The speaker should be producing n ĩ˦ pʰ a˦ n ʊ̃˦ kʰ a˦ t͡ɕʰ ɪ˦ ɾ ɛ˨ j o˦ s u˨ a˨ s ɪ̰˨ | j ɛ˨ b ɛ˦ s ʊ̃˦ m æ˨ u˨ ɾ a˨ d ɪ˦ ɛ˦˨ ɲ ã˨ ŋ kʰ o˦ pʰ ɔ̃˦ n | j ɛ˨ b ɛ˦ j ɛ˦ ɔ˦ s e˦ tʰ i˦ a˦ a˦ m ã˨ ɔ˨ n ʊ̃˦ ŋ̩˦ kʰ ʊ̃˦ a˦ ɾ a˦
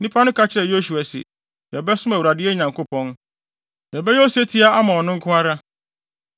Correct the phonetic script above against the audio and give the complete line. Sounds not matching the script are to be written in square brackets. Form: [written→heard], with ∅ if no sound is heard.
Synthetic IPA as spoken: n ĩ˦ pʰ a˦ n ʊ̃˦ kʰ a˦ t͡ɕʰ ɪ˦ ɾ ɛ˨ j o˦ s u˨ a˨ s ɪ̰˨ | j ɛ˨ b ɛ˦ s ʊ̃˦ m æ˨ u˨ ɾ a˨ d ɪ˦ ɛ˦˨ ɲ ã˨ ŋ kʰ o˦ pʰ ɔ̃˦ n | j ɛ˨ b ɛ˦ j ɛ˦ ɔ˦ s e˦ tʰ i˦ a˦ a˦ m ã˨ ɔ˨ n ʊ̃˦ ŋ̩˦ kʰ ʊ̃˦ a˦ ɾ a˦